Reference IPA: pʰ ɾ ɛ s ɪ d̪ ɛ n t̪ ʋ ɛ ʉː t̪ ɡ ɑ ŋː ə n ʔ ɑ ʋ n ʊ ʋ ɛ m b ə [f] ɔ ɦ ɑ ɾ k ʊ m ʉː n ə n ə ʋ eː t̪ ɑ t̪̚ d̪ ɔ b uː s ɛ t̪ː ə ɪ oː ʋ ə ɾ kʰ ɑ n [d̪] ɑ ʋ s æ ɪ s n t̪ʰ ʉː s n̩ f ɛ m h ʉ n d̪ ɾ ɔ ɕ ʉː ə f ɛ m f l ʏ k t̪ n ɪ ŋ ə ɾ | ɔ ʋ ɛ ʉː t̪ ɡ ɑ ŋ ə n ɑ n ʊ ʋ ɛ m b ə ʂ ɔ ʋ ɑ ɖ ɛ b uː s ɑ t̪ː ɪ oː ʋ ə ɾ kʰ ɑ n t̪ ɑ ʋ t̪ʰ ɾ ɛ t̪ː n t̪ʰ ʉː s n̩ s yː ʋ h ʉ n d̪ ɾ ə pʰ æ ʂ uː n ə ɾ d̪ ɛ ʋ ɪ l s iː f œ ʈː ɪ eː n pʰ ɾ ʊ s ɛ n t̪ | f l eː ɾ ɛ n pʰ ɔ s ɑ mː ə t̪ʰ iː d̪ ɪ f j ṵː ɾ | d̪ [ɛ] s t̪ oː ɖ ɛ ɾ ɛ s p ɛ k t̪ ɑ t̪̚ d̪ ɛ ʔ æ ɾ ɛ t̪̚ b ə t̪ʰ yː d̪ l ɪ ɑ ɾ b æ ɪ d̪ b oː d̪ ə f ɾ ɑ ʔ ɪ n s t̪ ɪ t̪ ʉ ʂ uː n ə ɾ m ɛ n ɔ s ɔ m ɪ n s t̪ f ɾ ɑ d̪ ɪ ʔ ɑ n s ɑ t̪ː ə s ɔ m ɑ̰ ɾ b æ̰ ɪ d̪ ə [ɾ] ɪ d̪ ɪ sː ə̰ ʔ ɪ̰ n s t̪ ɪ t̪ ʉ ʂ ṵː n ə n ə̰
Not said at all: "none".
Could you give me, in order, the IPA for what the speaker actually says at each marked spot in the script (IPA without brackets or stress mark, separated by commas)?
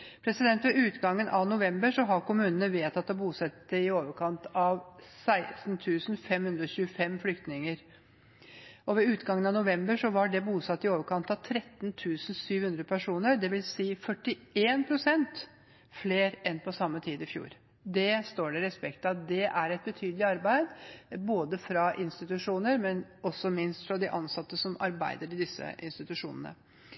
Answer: ʂ, t̪, ɛ, ɾ